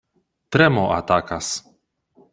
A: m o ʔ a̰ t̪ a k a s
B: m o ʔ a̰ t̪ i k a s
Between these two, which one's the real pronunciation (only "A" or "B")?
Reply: A